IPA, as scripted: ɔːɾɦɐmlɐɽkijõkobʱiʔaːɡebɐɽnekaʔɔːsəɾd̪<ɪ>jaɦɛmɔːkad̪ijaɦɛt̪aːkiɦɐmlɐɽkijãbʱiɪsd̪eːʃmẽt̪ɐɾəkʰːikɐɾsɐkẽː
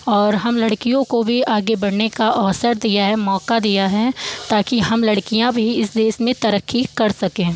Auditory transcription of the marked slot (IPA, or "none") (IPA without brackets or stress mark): i